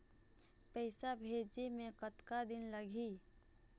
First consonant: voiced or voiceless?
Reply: voiceless